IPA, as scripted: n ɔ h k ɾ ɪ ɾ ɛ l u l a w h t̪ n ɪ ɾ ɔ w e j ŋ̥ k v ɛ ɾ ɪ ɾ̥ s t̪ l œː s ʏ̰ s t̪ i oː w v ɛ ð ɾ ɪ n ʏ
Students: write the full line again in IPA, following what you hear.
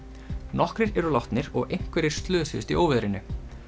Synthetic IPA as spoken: n ɔ h k ɾ ɪ ɾ ɛ ɾ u l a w h t̪ n ɪ ɾ ɔ ɣ e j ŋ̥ k v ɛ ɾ ɪ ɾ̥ s t̪ l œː s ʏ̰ s t̪ i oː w v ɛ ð ɾ ɪ n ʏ